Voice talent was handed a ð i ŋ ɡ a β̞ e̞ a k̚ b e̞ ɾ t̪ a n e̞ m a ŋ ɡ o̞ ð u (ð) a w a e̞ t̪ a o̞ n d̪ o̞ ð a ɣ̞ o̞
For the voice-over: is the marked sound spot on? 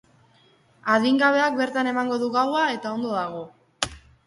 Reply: no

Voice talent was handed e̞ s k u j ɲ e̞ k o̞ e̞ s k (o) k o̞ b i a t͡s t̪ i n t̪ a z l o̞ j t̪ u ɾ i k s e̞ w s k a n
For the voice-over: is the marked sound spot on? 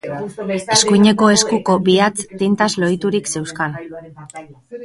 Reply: no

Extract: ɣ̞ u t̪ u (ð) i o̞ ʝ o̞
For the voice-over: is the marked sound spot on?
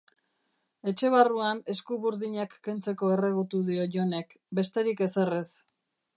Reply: yes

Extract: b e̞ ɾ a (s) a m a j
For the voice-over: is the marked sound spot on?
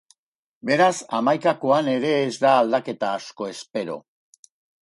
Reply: yes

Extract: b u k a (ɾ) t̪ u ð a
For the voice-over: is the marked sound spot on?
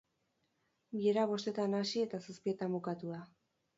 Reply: no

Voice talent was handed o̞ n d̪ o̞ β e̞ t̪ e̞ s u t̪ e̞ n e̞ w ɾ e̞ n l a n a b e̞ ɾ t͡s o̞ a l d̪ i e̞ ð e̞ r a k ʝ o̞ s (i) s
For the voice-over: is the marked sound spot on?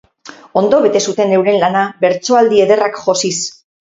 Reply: yes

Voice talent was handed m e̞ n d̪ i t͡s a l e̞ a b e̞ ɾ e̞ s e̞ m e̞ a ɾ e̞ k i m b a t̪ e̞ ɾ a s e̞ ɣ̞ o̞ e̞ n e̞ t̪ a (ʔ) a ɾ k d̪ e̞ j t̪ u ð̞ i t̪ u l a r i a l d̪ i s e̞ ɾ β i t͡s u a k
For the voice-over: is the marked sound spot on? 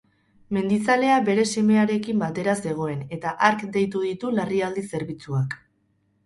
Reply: yes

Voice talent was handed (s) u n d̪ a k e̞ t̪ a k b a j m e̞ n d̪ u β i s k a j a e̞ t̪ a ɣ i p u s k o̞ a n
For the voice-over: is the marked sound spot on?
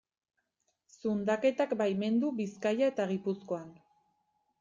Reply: yes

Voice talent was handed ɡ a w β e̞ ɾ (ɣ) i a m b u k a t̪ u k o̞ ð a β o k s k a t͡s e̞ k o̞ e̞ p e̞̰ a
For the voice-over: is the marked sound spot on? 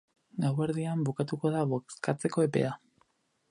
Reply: no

